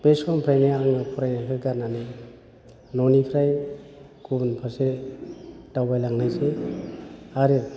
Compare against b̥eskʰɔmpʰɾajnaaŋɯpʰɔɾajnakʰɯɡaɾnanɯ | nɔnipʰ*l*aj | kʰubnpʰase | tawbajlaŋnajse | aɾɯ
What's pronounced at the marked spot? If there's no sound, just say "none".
ɾ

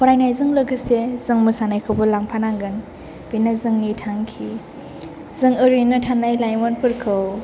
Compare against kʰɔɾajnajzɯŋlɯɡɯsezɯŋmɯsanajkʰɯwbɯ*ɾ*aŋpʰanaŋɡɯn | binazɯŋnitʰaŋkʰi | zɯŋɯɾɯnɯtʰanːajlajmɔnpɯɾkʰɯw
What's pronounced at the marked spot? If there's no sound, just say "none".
l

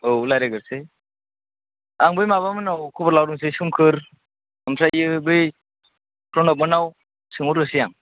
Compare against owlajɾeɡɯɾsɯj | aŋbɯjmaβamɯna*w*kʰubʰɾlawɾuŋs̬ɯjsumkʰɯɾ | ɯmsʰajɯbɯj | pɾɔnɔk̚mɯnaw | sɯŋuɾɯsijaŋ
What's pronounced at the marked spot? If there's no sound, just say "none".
w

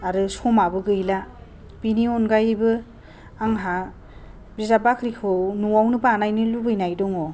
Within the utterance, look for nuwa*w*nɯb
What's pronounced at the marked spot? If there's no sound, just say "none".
w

